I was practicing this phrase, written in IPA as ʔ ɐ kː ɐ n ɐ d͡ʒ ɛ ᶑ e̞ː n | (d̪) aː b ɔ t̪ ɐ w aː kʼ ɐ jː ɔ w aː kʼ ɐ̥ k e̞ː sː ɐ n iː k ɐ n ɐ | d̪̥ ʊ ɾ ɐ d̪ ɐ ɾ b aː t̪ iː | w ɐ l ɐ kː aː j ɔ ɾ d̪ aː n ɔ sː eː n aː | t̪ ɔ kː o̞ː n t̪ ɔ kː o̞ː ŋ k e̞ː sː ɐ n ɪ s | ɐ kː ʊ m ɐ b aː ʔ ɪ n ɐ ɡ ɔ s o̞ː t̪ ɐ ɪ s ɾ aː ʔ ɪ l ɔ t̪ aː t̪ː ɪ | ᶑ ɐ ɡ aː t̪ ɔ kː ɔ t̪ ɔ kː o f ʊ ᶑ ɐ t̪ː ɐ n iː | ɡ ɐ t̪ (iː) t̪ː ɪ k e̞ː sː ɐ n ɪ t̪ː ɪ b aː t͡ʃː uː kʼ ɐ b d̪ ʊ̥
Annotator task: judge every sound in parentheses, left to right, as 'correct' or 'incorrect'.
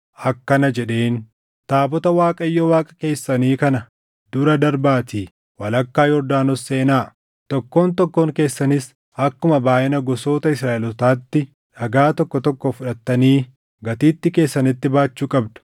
incorrect, correct

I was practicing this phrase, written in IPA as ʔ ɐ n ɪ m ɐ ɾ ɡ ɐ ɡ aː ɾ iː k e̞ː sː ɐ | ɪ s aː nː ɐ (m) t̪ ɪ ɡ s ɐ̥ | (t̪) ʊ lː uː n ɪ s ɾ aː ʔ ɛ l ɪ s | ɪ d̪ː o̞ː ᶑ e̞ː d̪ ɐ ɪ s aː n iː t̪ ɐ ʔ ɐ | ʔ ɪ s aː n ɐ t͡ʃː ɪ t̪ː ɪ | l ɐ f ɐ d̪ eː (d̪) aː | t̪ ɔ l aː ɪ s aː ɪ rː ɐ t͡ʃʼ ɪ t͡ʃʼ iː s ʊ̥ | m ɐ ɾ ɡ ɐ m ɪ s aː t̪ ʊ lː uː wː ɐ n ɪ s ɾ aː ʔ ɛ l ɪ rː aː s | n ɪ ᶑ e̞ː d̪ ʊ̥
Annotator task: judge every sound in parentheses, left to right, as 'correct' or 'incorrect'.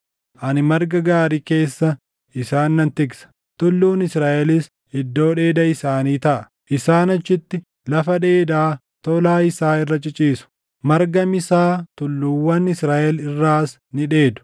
incorrect, correct, correct

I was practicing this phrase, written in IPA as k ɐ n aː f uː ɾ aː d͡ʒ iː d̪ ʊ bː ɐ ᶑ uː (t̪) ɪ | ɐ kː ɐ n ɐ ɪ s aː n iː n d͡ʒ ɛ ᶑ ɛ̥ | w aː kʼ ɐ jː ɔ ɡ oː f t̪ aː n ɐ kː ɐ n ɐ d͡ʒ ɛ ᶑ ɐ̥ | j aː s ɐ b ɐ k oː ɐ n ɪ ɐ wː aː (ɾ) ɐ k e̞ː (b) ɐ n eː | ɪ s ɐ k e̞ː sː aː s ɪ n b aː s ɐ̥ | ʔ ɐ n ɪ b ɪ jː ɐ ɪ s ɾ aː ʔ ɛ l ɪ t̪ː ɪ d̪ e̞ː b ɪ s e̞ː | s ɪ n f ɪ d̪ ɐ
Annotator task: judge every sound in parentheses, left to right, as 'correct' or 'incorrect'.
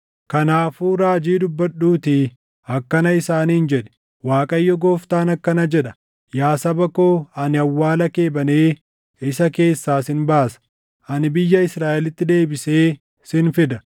correct, incorrect, correct

